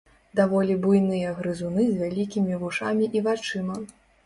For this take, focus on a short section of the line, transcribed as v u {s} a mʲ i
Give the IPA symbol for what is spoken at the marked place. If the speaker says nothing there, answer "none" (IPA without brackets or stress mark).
ʂ